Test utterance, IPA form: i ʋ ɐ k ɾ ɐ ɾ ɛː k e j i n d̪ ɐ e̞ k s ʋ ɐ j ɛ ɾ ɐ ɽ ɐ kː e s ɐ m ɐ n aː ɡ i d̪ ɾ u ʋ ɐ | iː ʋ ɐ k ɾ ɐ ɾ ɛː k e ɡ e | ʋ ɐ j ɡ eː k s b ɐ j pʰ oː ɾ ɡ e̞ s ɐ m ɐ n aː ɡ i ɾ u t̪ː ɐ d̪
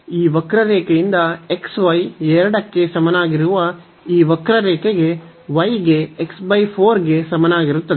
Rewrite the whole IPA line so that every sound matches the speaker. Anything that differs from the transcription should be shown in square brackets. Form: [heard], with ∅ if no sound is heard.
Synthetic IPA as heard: [iː] ʋ ɐ k ɾ ɐ ɾ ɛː k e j i n d̪ ɐ e̞ k s ʋ ɐ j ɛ ɾ ɐ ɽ ɐ kː e s ɐ m ɐ n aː ɡ i [∅] ɾ u ʋ ɐ | iː ʋ ɐ k ɾ ɐ ɾ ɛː k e ɡ e | ʋ ɐ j ɡ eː k s b ɐ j pʰ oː ɾ ɡ e̞ s ɐ m ɐ n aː ɡ i ɾ u t̪ː ɐ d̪